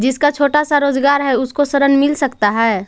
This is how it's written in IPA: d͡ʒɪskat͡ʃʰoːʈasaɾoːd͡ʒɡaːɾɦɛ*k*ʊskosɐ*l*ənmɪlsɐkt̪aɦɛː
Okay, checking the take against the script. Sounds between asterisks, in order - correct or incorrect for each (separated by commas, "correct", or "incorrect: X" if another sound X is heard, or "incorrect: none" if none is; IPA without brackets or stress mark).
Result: incorrect: none, incorrect: ɾ